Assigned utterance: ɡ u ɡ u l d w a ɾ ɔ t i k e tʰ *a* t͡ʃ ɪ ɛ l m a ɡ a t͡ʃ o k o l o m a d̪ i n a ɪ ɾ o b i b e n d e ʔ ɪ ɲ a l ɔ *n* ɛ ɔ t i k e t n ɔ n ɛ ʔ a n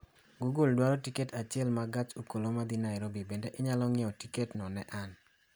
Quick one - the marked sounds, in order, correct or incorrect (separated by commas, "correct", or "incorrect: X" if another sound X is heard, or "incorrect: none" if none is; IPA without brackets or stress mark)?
correct, incorrect: ŋ